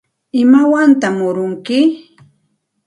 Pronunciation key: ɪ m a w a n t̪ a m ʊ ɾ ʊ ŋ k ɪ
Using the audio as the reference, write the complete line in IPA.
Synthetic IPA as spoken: ɪ m a w a n t̪ a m ʊ ɾ ʊ ŋ k ɪ